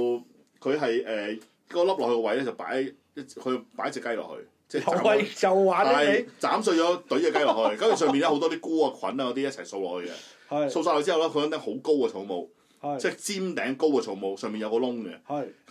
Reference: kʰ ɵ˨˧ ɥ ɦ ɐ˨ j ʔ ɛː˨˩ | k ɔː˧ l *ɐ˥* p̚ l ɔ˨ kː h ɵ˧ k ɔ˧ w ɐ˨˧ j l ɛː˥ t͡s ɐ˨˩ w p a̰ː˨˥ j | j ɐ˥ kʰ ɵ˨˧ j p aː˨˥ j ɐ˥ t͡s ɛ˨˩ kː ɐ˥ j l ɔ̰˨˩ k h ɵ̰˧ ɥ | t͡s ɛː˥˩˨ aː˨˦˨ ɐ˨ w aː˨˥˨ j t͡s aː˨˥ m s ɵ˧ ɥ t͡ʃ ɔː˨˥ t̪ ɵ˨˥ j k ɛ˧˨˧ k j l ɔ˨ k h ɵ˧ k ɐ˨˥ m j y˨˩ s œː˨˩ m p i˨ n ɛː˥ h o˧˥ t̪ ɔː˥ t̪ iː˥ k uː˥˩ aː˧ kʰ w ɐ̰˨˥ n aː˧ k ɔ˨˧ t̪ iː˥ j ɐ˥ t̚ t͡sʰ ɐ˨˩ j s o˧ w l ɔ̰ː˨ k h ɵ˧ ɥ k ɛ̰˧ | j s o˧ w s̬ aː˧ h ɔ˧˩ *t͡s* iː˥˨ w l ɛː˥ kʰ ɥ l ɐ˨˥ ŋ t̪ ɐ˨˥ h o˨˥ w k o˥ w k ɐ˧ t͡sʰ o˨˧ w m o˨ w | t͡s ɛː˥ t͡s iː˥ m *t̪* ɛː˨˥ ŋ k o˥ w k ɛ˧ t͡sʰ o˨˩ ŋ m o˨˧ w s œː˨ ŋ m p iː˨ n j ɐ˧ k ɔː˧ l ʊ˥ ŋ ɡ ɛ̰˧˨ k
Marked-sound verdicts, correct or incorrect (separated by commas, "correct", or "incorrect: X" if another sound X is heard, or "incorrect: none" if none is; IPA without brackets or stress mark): correct, correct, correct